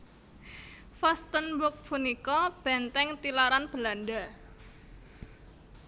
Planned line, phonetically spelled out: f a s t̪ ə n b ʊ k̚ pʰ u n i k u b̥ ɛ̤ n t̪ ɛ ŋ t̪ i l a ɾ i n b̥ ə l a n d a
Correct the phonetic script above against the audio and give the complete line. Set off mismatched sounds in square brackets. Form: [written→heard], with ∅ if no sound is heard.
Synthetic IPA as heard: f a s t̪ ə n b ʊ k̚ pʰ u n i k [u→ɔ] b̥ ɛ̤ n t̪ ɛ ŋ t̪ i l a ɾ [i→a] n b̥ ə l a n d a

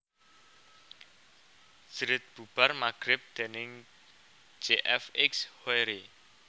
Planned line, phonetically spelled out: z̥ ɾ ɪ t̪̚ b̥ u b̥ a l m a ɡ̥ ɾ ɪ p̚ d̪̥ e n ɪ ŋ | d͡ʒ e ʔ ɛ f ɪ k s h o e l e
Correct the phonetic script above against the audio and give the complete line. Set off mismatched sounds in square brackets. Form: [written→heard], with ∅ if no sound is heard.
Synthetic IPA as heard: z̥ ɾ ɪ t̪̚ b̥ u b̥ a [l→r] m a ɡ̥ ɾ ɪ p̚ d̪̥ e n ɪ ŋ | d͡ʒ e ʔ ɛ f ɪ k s h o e [l→ɾ] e

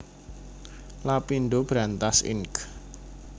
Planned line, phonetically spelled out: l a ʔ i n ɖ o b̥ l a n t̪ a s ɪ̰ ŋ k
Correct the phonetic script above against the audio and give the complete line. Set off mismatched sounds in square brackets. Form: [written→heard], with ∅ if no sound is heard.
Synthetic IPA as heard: l a [ʔ→p] i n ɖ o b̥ [l→ɾ] a n t̪ a s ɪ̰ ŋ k

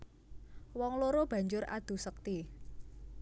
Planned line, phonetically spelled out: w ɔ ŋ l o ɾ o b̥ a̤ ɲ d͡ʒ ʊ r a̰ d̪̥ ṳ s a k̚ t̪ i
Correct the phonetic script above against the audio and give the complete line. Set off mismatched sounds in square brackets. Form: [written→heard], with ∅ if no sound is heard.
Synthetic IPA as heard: w ɔ ŋ l o ɾ o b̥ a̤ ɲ d͡ʒ ʊ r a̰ d̪̥ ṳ s [a→ə] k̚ t̪ i

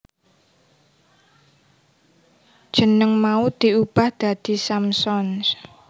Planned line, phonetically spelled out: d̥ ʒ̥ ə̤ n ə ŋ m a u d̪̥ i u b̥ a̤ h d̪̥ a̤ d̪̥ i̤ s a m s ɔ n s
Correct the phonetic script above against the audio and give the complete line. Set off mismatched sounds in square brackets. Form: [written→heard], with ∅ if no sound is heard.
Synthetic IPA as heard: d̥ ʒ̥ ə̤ n ə ŋ m a u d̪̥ i u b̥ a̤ h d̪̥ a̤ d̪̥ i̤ s a m s ɔ n s

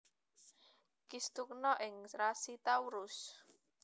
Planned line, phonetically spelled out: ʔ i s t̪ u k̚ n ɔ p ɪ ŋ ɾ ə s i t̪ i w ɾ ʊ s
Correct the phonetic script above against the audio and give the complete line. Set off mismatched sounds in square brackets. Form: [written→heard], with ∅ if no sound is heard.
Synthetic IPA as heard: [ʔ→k] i s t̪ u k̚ n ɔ [p→ʔ] ɪ ŋ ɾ [ə→a] s i t̪ [i→a] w ɾ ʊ s

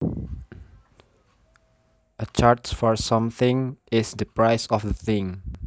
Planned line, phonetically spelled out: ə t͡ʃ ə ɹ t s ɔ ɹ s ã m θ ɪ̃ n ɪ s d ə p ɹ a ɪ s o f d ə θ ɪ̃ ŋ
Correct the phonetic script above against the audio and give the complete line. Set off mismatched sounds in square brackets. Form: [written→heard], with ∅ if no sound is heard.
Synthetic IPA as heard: ə t͡ʃ [ə→a] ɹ t [s→f] ɔ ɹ s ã m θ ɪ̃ [n→ŋ] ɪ s d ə p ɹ a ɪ s [o→ɔ] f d ə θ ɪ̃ ŋ

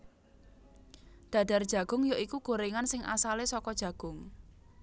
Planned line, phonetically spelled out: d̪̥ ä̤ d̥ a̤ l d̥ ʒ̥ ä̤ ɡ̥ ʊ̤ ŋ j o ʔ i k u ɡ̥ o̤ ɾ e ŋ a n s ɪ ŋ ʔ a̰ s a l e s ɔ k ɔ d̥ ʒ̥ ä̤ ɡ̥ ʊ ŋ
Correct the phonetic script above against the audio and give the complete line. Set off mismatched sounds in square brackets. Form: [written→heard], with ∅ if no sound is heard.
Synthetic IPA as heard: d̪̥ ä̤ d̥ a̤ [l→r] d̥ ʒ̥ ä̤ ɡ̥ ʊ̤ ŋ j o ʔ i k u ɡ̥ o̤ ɾ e ŋ a n s ɪ ŋ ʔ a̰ s a l e s ɔ k ɔ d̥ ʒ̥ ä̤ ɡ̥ ʊ ŋ

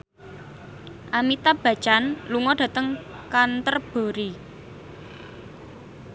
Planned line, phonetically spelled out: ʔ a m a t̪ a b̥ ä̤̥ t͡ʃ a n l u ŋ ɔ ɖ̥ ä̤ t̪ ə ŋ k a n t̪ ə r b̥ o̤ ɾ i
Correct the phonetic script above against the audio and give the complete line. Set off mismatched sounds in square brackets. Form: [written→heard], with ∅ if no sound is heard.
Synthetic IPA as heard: ʔ a m [a→i] t̪ a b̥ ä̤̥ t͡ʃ a n l u ŋ ɔ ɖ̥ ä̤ t̪ ə ŋ k a n t̪ ə r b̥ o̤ ɾ i

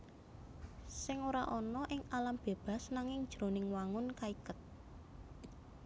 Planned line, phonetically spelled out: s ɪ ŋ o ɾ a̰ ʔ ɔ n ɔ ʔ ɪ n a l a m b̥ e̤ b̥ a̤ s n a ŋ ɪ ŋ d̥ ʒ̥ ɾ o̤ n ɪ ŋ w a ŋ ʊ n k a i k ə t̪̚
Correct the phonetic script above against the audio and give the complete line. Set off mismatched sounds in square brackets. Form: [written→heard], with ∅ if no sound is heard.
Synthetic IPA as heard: s ɪ ŋ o ɾ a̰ ʔ ɔ n ɔ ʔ ɪ [n→ŋ] a l a m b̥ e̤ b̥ a̤ s n a ŋ ɪ ŋ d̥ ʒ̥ ɾ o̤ n ɪ ŋ w a ŋ ʊ n k a i k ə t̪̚

